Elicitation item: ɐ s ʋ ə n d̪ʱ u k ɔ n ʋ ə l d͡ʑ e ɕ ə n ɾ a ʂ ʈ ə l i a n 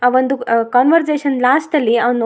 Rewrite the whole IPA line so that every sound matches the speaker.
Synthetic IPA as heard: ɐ ʋ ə n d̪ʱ u k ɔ n ʋ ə ɾ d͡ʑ e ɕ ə n l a s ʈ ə l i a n